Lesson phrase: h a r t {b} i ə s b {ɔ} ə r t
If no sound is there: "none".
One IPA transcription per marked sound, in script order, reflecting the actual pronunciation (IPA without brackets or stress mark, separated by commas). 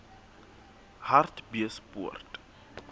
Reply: b, u